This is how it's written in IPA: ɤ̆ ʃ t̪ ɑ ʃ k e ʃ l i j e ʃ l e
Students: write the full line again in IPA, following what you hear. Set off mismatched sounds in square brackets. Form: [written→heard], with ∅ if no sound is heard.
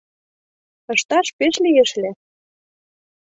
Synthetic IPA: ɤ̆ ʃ t̪ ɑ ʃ [k→p] e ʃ l i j e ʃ l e